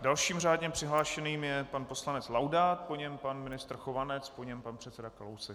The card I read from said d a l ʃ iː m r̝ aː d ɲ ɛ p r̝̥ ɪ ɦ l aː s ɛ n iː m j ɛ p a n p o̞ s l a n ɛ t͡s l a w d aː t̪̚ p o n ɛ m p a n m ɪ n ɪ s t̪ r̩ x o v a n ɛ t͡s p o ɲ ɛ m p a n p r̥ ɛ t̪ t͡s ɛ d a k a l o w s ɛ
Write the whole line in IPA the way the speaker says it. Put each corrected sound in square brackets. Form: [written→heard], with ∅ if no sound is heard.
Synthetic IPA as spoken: d a l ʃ iː m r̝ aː d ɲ ɛ p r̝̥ ɪ ɦ l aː [s→ʃ] ɛ n iː m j ɛ p a n p o̞ s l a n ɛ t͡s l a w d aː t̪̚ p o [n→ɲ] ɛ m p a n m ɪ n ɪ s t̪ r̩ x o v a n ɛ t͡s p o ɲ ɛ m p a n p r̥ ɛ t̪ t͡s ɛ d a k a l o w s ɛ